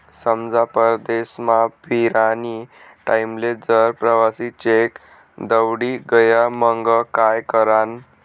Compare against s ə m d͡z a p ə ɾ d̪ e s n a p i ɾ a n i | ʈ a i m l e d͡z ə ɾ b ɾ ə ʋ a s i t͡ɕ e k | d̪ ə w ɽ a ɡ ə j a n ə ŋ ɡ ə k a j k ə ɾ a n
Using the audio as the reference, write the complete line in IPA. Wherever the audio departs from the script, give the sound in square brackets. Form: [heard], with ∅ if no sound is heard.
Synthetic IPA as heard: s ə m d͡z a p ə ɾ d̪ e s [m] a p i ɾ a n i | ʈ a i m l e d͡z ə ɾ [p] ɾ ə ʋ a s i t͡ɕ e k | d̪ ə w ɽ [i] ɡ ə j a [m] ə ŋ ɡ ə k a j k ə ɾ a n

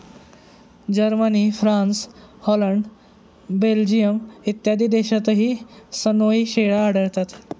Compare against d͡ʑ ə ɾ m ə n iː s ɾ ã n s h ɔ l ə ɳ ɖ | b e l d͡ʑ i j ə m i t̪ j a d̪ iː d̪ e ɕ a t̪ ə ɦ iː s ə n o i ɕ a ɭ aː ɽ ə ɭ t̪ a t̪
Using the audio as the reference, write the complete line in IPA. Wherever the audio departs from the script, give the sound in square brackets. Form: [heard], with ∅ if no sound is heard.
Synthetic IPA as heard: d͡ʑ ə ɾ m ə n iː [f] ɾ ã n s h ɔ l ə ɳ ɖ | b e l d͡ʑ i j ə m i t̪ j a d̪ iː d̪ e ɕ a t̪ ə ɦ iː s ə n o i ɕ [e] ɭ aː ɽ ə ɭ t̪ a t̪

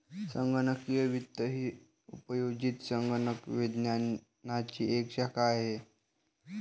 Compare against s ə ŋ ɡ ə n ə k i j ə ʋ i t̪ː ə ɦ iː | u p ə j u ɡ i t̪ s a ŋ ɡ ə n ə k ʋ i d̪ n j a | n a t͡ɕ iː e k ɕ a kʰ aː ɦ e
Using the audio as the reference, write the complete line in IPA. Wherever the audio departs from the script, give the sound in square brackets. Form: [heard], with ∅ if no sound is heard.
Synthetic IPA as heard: s ə ŋ ɡ ə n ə k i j ə ʋ i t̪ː ə ɦ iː | u p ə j [o] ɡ i t̪ s [ə] ŋ ɡ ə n ə k ʋ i d̪ n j a | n a t͡ɕ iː e k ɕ a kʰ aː ɦ e

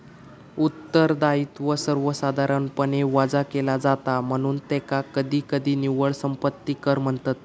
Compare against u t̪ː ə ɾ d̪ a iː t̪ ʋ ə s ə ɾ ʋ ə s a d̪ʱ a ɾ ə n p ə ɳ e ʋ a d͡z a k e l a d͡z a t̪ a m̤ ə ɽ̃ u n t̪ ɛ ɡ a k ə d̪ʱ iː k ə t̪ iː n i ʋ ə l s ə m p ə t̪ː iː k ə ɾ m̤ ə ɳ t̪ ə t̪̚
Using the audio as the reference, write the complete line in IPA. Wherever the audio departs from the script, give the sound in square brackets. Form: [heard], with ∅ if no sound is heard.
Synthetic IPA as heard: u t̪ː ə ɾ d̪ a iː t̪ ʋ ə s ə ɾ ʋ ə s a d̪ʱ a ɾ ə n p ə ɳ e ʋ a d͡z a k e l a d͡z a t̪ a m̤ ə ɽ̃ [uː] n t̪ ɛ [k] a k ə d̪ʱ iː k ə [d̪] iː n i ʋ ə [ɭ] s ə m p ə t̪ː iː k ə ɾ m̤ ə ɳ t̪ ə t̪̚

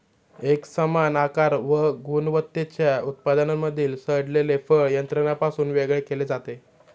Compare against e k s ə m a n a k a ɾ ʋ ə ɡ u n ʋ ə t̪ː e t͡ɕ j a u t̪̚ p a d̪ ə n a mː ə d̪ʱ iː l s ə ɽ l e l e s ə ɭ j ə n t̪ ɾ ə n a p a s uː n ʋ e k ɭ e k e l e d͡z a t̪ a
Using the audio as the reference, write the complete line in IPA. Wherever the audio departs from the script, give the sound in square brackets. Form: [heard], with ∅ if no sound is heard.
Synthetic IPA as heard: e k s ə m a n a k a ɾ ʋ ə ɡ u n ʋ ə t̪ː e t͡ɕ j a u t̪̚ p a d̪ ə n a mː ə d̪ʱ iː l s ə ɽ l e l e [f] ə ɭ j ə n t̪ ɾ ə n a p a s uː n ʋ e [ɡ] ɭ e k e l e d͡z a t̪ [e]

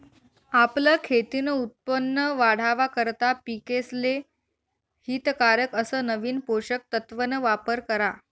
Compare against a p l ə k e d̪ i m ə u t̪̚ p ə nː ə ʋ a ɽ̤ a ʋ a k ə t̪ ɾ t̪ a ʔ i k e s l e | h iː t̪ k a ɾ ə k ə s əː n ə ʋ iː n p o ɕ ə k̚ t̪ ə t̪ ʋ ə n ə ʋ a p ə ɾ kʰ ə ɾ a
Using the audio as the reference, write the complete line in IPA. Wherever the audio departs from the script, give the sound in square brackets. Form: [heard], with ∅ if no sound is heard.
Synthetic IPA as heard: a p l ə [kʰ] e [t̪] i [n] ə u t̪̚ p ə nː ə ʋ a ɽ̤ a ʋ a k ə [∅] ɾ t̪ a [p] i k e s l e | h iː t̪ k a ɾ ə k ə s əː n ə ʋ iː n p o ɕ ə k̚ t̪ ə t̪ ʋ ə n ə ʋ a p ə ɾ [k] ə ɾ a

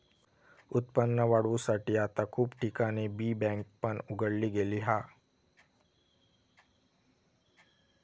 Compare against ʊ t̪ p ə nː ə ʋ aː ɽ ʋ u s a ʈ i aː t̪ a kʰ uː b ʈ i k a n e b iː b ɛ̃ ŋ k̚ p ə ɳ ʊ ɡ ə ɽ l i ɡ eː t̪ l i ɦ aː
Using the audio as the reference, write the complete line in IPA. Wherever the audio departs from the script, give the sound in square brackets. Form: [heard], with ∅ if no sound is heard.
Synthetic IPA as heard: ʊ t̪ p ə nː ə ʋ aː ɽ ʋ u s a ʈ i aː t̪ a kʰ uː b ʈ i k a n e b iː b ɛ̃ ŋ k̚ p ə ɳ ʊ ɡ ə ɽ l i ɡ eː [∅] l i ɦ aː

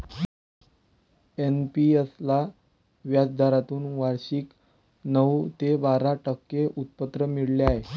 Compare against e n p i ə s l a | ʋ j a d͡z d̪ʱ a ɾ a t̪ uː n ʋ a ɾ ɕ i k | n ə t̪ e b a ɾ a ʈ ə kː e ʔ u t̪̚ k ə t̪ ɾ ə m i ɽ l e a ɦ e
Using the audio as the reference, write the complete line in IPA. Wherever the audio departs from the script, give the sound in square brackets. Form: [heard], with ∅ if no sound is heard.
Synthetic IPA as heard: e n p i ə s l a | ʋ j a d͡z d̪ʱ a ɾ a t̪ uː n ʋ a ɾ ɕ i k | n ə t̪ e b a ɾ a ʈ ə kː e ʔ u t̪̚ [p] ə t̪ ɾ ə m i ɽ l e a ɦ e

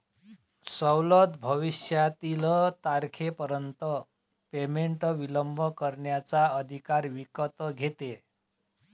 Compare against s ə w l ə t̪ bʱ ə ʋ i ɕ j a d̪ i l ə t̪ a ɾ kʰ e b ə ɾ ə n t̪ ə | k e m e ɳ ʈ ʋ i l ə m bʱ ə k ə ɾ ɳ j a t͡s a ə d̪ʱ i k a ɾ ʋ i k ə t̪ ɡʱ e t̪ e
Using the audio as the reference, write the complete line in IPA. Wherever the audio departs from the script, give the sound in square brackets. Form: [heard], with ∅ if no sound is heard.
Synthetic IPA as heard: s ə w l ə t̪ bʱ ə ʋ i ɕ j a [t̪] i l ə t̪ a ɾ kʰ e [p] ə ɾ ə n t̪ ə | [p] e m e ɳ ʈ ʋ i l ə m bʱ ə k ə ɾ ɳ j a t͡s a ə d̪ʱ i k a ɾ ʋ i k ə t̪ ɡʱ e t̪ e

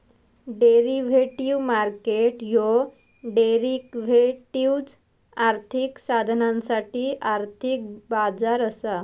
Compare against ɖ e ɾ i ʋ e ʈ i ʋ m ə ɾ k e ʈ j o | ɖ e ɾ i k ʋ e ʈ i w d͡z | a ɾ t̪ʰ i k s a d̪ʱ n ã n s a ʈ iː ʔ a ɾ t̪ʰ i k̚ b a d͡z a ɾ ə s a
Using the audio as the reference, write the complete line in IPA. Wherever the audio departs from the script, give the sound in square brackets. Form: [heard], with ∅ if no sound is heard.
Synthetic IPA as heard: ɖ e ɾ i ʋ e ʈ i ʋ m [a] ɾ k e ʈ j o | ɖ e ɾ i k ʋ e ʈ i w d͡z | a ɾ t̪ʰ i k s a d̪ʱ n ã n s a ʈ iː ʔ a ɾ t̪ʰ i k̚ b a d͡z a ɾ ə s a

